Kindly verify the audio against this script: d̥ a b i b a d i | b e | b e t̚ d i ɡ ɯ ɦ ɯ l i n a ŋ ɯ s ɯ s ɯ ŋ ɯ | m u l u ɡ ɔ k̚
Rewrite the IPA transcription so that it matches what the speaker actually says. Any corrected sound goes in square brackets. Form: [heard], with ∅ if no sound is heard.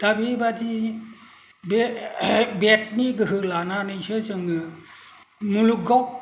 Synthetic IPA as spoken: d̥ a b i b a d i | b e | b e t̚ [n] i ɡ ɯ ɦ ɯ l [a] n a [n] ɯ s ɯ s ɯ ŋ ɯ | m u l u ɡ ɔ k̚